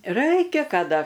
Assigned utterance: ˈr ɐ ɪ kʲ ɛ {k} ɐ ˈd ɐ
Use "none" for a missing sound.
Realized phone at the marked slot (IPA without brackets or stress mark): k